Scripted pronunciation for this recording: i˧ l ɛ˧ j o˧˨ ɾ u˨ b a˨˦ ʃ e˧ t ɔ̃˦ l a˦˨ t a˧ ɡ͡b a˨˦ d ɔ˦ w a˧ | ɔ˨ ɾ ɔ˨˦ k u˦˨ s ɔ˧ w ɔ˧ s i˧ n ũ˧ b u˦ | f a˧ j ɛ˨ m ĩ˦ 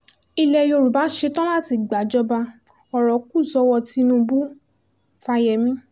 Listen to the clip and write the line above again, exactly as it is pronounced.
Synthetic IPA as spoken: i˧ l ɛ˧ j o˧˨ ɾ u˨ b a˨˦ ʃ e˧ t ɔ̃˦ l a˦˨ t i˧ ɡ͡b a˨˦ d͡ʒ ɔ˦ b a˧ | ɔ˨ ɾ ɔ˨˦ k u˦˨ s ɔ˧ w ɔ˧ t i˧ n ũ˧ b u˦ | f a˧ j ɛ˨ m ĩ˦